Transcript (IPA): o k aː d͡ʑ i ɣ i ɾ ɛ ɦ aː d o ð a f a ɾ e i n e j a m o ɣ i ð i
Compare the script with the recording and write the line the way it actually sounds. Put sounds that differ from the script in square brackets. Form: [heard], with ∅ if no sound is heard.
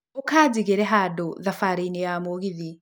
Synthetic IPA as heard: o k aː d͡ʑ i ɣ [e] ɾ ɛ ɦ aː d o ð a f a ɾ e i n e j a m o ɣ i ð i